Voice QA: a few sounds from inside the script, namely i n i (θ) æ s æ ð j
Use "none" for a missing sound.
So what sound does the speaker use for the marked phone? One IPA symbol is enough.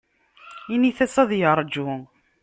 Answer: θ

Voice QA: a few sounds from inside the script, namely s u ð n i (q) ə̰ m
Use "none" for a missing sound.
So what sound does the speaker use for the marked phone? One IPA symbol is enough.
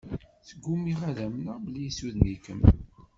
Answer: k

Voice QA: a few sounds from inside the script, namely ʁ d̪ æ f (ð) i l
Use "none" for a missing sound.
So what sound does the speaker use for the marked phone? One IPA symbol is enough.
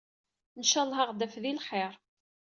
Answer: ð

